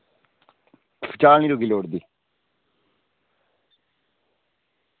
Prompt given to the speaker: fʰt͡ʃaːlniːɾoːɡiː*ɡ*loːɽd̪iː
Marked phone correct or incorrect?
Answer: incorrect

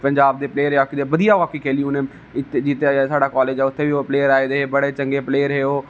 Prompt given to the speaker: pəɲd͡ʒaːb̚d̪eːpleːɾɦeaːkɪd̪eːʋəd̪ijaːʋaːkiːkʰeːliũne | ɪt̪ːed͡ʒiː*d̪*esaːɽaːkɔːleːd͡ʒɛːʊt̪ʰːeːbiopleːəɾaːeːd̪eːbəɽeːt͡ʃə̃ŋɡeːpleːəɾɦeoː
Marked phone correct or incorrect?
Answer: incorrect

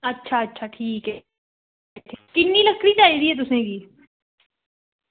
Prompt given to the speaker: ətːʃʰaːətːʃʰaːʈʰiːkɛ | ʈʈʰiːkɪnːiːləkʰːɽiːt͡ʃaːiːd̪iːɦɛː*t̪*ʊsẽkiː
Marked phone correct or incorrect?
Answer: correct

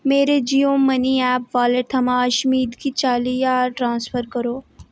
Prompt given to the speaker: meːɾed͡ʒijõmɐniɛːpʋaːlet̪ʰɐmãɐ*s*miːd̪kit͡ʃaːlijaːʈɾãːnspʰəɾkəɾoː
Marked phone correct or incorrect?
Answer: incorrect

